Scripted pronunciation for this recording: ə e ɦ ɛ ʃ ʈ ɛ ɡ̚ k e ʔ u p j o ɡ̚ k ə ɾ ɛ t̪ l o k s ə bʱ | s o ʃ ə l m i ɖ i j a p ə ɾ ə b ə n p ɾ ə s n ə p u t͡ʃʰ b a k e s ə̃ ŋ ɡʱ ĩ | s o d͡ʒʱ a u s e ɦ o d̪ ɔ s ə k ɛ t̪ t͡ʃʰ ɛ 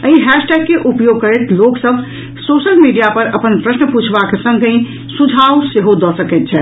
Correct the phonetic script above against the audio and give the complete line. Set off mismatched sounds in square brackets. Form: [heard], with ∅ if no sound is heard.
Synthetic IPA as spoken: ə [i] ɦ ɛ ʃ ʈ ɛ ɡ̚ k e ʔ u p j o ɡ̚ k ə ɾ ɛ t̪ l o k s ə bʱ | s o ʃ ə l m i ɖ i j a p ə ɾ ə [p] ə n p ɾ ə s n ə p u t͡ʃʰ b a k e s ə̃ ŋ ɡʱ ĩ | s [u] d͡ʒʱ a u s e ɦ o d̪ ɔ s ə k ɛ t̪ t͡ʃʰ ɛ